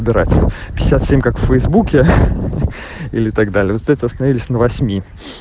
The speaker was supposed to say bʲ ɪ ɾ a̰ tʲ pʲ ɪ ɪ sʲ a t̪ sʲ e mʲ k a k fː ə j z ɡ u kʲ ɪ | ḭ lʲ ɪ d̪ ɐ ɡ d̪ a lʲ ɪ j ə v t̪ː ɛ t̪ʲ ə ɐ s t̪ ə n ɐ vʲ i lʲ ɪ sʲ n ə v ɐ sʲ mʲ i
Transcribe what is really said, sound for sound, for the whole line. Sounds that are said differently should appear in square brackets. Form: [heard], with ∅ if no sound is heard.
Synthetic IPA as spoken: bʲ ɪ ɾ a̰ tʲ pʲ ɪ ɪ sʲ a t̪ sʲ e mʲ k a k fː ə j z [b] u kʲ ɪ | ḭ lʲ ɪ [t̪] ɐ ɡ d̪ a lʲ ɪ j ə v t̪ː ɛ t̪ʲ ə ɐ s t̪ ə n ɐ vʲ i lʲ ɪ sʲ n ə v ɐ sʲ mʲ i